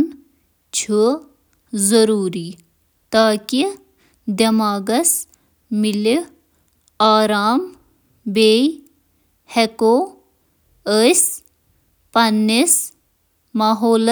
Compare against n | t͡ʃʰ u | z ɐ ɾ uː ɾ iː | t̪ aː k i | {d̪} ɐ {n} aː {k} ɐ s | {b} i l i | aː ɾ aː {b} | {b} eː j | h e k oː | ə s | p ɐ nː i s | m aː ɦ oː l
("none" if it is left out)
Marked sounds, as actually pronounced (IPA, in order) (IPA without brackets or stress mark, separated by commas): d̪, m, ɡ, m, m, b